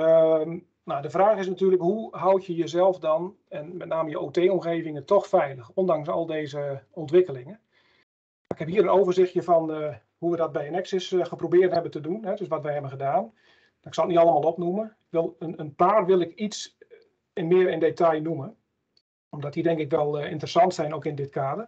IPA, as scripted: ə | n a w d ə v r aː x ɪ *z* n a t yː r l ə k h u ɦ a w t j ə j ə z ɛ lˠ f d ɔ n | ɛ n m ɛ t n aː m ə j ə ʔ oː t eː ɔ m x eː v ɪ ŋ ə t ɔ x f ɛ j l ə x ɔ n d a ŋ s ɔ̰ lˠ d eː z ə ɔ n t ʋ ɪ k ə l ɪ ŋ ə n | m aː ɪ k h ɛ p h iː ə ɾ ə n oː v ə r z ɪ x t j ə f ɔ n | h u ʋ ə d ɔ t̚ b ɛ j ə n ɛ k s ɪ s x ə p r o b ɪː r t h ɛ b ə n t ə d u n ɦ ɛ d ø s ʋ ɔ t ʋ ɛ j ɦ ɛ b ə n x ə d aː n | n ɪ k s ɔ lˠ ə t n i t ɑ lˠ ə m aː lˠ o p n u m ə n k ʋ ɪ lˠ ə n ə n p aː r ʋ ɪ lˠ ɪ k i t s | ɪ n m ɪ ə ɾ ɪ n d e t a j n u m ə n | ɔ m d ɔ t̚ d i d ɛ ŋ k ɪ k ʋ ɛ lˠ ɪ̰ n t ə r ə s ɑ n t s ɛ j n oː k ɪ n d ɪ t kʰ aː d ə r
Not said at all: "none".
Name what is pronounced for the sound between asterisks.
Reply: s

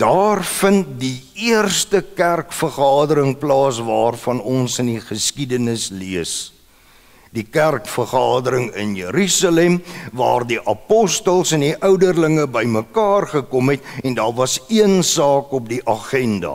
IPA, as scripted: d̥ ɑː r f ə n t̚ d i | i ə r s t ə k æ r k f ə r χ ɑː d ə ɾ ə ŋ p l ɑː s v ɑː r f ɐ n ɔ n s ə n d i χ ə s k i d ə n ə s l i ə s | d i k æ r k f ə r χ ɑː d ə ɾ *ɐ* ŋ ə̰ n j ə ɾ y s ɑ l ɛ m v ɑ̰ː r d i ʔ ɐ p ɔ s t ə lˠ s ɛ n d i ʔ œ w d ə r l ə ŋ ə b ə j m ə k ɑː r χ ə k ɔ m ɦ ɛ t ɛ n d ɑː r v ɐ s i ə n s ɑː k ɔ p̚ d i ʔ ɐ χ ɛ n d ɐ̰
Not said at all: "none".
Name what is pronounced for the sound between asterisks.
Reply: ə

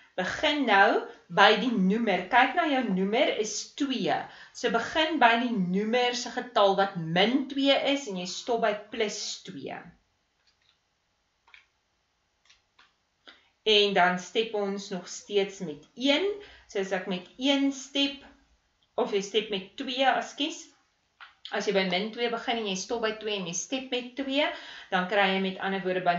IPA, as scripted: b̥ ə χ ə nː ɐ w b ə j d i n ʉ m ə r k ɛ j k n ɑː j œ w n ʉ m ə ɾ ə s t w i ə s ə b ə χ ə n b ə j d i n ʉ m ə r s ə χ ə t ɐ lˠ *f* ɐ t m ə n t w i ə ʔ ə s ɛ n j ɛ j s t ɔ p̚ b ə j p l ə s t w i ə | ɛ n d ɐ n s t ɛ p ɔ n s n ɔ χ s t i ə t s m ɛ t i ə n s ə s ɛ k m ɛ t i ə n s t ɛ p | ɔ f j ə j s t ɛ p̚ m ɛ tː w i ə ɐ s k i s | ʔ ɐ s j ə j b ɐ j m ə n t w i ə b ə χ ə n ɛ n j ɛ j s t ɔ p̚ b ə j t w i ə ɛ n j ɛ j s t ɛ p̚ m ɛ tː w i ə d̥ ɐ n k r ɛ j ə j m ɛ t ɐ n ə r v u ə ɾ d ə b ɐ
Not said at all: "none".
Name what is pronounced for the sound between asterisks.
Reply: v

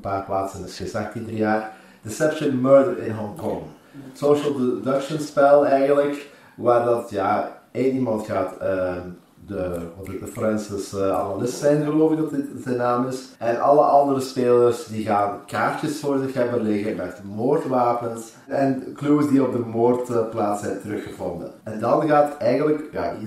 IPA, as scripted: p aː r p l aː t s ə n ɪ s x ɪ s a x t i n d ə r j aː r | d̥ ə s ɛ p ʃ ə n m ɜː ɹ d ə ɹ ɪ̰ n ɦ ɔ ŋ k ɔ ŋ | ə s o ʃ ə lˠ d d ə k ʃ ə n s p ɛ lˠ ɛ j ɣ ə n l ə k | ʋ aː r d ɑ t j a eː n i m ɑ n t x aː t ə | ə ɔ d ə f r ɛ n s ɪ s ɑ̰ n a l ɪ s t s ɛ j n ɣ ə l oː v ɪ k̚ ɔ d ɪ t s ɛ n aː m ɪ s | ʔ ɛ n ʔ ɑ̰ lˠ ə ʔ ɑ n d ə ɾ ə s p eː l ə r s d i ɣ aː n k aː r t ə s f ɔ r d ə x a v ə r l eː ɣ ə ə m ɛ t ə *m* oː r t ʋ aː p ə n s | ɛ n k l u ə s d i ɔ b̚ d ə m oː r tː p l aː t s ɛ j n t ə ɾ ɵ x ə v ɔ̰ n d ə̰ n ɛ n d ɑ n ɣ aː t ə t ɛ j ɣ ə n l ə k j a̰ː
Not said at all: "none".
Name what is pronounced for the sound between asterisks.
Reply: m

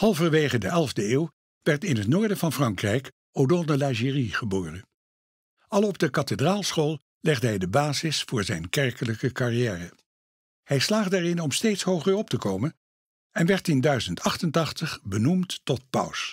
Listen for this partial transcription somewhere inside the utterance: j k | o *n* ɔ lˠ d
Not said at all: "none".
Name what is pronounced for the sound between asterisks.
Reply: d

